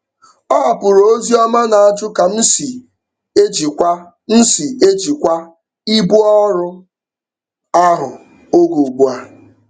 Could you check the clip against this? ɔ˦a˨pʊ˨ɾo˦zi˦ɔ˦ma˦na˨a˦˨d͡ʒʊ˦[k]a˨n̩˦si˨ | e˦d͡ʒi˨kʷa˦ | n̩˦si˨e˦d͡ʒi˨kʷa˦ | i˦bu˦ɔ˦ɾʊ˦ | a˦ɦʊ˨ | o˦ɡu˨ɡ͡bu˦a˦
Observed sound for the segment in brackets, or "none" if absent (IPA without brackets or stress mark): k